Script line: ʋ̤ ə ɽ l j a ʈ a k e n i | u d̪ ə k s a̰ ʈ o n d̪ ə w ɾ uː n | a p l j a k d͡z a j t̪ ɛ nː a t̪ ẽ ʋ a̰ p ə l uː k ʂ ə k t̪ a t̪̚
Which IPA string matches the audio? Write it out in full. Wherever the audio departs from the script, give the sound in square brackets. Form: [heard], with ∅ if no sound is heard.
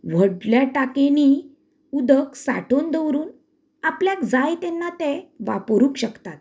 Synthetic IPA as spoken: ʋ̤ ə ɽ l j a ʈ a k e n i | u d̪ ə k s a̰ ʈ o n d̪ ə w ɾ uː n | a p l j a k d͡z a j t̪ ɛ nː a t̪ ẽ ʋ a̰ p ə [ɾ] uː k [ɕ] ə k t̪ a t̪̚